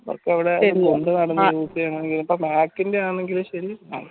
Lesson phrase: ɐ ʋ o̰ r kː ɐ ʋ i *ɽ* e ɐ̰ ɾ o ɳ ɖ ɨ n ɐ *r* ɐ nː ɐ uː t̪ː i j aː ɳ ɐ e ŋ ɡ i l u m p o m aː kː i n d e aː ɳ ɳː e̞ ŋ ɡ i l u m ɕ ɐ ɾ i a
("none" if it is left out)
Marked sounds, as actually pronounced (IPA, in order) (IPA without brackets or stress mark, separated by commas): ɽ, ɽ